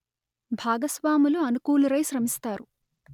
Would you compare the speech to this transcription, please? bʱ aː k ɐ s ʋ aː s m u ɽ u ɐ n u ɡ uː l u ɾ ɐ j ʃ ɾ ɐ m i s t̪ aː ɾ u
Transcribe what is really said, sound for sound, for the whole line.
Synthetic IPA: bʱ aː ɡ ɐ s ʋ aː m u l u ɐ n u k uː l u ɾ ɐ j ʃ ɾ ɐ m i s t̪ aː ɾ u